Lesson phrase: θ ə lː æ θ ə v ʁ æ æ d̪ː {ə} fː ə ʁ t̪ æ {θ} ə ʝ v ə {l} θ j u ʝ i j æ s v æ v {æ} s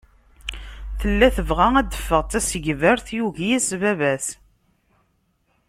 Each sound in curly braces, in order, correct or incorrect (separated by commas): correct, incorrect, incorrect, correct